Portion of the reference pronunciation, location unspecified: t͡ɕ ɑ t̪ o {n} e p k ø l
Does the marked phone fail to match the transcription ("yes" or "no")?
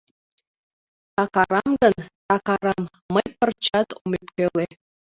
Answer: yes